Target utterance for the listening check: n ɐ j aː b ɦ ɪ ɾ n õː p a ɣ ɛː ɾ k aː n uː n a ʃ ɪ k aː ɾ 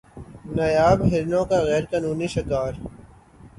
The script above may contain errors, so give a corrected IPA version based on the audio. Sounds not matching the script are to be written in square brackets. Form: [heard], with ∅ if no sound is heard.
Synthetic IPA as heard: n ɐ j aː b ɦ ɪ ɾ n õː [k] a ɣ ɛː ɾ k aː n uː n [i] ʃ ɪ k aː ɾ